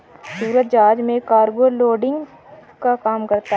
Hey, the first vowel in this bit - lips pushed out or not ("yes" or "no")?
yes